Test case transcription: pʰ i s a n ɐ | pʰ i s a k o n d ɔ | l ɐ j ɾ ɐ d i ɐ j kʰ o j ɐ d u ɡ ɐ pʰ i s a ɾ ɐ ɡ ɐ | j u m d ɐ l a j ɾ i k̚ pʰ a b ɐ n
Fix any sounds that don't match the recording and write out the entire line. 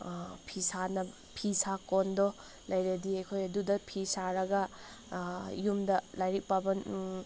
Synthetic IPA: pʰ i s a n ɐ | pʰ i s a k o n d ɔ | l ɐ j ɾ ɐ d i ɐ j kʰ o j ɐ d u d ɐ pʰ i s a ɾ ɐ ɡ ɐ | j u m d ɐ l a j ɾ i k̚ p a b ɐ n